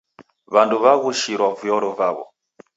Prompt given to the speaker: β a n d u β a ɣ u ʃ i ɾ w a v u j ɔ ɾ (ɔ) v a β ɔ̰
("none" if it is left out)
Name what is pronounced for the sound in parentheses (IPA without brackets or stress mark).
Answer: ɔ